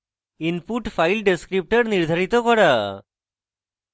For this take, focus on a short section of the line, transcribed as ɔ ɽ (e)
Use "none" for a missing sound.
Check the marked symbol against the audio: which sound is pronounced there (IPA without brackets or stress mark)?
a